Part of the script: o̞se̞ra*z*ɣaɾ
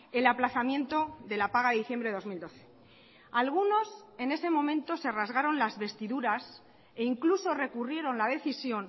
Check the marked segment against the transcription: correct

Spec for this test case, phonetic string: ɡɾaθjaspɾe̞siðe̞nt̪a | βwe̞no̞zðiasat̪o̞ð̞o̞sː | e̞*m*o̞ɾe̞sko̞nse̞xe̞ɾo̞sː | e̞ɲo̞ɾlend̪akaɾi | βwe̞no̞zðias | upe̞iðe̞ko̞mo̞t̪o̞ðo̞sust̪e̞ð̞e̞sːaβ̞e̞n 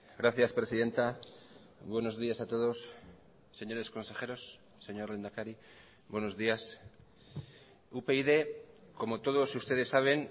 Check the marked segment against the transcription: incorrect: ɲ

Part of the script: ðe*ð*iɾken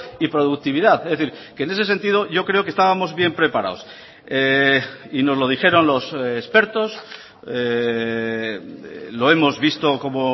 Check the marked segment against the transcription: incorrect: θ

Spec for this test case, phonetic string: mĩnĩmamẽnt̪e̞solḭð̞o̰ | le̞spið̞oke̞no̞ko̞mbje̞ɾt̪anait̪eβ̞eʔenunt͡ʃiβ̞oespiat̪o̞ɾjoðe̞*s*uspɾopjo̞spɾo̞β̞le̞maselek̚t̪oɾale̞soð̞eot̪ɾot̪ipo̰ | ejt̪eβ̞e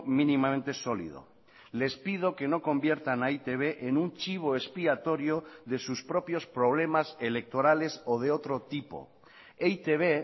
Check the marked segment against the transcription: correct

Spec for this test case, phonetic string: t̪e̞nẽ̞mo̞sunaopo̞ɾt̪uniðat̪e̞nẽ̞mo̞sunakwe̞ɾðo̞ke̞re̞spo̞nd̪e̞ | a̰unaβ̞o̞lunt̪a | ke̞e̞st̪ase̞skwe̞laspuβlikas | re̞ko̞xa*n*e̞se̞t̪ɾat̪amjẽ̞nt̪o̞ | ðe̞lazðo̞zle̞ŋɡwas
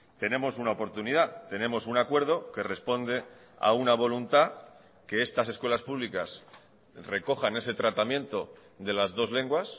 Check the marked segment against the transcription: correct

